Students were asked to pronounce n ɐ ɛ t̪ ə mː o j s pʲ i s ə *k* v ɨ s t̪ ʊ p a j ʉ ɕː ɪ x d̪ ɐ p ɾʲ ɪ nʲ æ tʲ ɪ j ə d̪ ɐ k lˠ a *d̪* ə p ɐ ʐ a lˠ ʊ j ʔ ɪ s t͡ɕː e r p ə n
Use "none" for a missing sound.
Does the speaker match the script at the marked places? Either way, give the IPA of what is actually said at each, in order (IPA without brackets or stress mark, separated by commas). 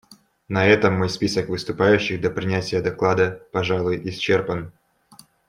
k, d̪